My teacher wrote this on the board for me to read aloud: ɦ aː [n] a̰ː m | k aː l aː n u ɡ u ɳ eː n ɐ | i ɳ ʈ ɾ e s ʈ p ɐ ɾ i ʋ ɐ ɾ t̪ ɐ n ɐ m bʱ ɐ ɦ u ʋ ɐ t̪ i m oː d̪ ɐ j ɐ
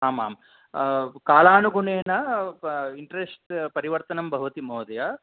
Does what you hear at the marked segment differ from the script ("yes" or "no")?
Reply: yes